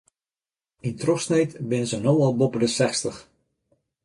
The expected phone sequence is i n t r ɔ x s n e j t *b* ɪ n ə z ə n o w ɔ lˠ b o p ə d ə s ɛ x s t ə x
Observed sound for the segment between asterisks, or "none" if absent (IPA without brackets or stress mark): b